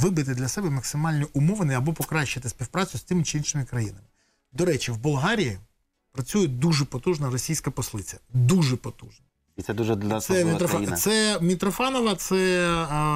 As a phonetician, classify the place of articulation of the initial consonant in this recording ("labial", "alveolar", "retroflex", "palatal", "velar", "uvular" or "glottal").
labial